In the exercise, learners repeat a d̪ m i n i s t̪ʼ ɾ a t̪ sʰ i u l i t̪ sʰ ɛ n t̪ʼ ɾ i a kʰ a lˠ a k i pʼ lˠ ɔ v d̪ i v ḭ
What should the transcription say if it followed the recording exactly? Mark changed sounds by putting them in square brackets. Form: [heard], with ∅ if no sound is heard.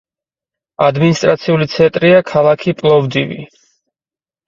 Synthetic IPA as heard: a d̪ m i n i s t̪ʼ ɾ a t̪ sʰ i u l i t̪ sʰ ɛ n t̪ʼ ɾ i a kʰ a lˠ a [kʰ] i pʼ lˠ ɔ v d̪ i v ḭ

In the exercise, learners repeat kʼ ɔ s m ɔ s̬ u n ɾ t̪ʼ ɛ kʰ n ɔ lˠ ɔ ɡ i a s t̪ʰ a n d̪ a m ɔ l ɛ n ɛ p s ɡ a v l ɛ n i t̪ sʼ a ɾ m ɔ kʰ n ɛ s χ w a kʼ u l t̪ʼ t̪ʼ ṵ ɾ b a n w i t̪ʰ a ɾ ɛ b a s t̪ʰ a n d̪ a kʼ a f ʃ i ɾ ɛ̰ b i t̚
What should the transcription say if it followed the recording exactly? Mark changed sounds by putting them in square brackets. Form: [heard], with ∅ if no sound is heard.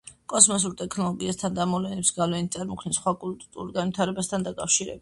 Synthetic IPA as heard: kʼ ɔ s m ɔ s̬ u [∅] ɾ t̪ʼ ɛ kʰ n ɔ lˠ ɔ ɡ i a s t̪ʰ a n d̪ a m ɔ l ɛ n ɛ p s ɡ a v l ɛ n i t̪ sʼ a ɾ m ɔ kʰ n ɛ s χ w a kʼ u l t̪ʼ t̪ʼ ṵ ɾ [ɡ] a n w i t̪ʰ a ɾ ɛ b a s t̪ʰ a n d̪ a kʼ a f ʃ i ɾ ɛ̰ b i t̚

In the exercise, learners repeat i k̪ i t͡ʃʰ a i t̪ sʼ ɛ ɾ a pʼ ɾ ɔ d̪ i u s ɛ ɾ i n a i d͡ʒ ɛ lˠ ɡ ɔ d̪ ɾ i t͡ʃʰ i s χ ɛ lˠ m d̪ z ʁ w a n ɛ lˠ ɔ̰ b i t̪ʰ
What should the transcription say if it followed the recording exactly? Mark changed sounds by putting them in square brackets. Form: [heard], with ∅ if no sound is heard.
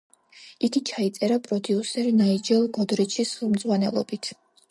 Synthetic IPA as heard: i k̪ i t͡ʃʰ a i t̪ sʼ ɛ ɾ a pʼ ɾ ɔ d̪ i u s ɛ ɾ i n a i d͡ʒ ɛ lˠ ɡ ɔ d̪ ɾ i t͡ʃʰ i s χ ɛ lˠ m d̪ z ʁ w a n ɛ lˠ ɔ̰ b i t̪ʰ

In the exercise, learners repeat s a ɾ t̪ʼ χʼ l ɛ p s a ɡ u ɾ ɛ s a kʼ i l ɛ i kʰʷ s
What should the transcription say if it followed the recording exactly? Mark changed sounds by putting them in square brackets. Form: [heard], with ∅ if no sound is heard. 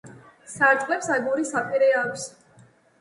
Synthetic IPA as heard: s a ɾ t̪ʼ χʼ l ɛ p s a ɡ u ɾ [i] s a [pʼ] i [ɾ] ɛ [a] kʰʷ s

